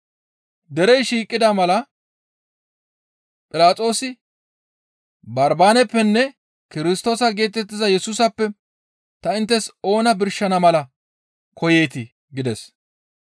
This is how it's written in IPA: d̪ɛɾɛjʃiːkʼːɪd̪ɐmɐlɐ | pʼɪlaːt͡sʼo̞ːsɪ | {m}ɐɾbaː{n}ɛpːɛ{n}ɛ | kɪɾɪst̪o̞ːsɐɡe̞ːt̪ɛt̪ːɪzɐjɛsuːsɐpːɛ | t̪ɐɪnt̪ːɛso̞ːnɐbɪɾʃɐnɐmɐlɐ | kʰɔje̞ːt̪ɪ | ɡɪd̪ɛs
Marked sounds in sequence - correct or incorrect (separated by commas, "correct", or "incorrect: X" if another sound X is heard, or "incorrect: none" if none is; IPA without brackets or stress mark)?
incorrect: b, correct, incorrect: nː